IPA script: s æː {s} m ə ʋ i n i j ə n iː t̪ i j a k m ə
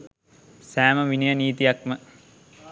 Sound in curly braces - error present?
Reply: yes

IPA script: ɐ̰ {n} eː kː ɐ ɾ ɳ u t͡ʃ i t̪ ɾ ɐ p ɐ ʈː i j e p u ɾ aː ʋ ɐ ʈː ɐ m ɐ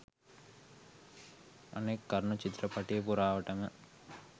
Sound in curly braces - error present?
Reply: no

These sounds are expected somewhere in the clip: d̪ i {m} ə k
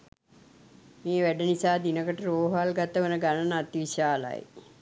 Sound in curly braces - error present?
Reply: yes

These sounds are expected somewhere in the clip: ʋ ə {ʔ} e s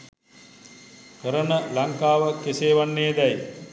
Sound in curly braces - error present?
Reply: yes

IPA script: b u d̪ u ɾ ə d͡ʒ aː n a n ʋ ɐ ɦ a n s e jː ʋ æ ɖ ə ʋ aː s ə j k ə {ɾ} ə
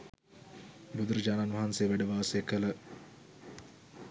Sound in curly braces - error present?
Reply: yes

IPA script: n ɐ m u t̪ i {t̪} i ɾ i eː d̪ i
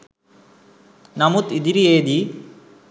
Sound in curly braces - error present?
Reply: yes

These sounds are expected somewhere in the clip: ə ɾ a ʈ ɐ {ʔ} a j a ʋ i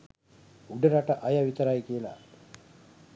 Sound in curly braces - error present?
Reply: no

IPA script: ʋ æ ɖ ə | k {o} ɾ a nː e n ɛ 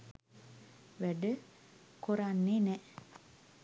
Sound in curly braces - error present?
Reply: no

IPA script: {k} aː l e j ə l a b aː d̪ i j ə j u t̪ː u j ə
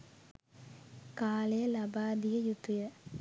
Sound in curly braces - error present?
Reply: no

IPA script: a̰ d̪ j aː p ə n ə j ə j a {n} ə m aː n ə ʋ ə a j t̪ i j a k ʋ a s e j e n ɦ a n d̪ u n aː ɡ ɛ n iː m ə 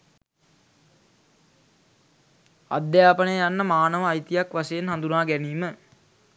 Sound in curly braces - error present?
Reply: yes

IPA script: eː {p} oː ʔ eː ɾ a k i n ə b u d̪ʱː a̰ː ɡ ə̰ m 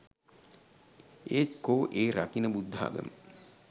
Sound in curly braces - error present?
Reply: yes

